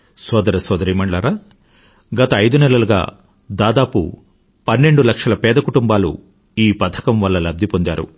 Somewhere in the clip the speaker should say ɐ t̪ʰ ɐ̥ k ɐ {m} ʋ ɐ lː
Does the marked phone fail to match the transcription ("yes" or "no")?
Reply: no